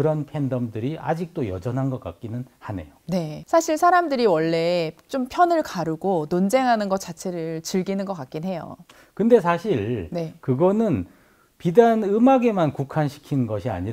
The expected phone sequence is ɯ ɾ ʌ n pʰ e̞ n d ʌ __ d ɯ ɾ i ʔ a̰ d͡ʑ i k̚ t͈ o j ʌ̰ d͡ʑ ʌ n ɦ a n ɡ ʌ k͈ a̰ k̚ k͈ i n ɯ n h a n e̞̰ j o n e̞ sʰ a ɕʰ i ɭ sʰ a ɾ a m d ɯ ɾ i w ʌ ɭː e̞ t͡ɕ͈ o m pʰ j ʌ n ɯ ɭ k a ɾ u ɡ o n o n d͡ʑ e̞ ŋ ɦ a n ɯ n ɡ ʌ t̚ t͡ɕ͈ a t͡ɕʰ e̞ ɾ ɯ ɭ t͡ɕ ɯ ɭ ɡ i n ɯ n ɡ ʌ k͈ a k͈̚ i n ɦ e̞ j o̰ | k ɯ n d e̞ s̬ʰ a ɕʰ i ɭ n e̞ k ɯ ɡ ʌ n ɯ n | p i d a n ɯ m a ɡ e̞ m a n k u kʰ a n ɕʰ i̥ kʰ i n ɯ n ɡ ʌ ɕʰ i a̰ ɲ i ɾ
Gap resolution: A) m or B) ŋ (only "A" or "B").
A